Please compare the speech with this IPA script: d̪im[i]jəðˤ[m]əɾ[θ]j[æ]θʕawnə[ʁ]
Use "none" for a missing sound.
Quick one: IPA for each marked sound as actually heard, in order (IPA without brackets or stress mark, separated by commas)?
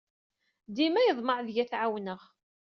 æ, m, ð, æ, ʁ